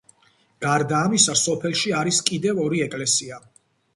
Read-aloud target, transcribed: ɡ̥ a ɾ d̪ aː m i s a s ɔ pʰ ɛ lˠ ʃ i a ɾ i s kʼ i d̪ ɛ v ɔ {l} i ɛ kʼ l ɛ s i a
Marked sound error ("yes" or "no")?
yes